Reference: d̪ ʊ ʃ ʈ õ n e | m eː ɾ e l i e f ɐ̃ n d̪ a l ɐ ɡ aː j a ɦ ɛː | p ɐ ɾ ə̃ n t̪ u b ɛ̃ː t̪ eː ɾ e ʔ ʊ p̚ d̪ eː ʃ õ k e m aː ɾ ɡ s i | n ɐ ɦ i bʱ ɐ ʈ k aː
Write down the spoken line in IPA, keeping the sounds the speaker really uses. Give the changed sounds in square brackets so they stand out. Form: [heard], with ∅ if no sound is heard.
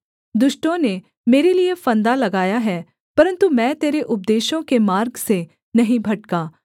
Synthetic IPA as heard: d̪ ʊ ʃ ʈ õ n e | m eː ɾ e l i e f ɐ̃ n d̪ a l ɐ ɡ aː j a ɦ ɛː | p ɐ ɾ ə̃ n t̪ u [m] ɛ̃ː t̪ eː ɾ e ʔ ʊ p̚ d̪ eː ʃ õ k e m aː ɾ ɡ s [e] | n ɐ ɦ [ĩ] bʱ ɐ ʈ k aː